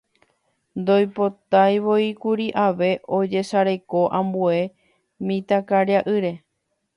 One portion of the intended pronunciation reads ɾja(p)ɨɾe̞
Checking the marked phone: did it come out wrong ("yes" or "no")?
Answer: yes